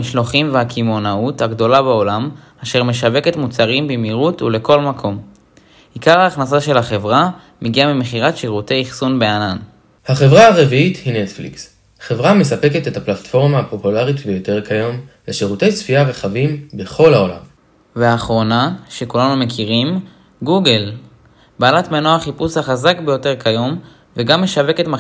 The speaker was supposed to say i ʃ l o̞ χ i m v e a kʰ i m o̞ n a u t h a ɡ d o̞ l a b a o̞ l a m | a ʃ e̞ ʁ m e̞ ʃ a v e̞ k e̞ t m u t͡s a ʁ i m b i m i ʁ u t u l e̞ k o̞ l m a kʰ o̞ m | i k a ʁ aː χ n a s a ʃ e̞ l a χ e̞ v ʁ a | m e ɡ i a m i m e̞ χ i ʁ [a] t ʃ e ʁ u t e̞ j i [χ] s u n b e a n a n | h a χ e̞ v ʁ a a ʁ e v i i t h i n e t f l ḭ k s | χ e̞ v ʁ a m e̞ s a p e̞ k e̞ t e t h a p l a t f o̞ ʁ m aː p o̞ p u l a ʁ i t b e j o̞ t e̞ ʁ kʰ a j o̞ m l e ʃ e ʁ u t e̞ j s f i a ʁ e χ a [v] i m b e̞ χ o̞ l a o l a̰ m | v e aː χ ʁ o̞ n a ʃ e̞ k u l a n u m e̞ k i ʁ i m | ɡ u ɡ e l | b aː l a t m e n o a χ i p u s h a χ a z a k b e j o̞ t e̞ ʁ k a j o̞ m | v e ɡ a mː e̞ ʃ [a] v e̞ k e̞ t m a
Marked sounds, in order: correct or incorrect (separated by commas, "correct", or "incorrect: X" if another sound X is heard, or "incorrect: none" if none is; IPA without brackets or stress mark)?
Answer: correct, correct, correct, correct